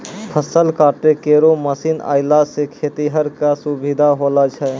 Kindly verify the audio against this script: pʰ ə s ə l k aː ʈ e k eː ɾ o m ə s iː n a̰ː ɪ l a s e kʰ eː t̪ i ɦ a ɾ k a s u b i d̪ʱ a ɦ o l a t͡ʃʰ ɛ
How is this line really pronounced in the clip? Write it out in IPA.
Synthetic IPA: pʰ ə s ə l k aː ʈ e k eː ɾ o m ə s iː n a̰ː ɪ l a s e kʰ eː t̪ i ɦ ə ɾ k a s u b i d̪ʱ a ɦ o l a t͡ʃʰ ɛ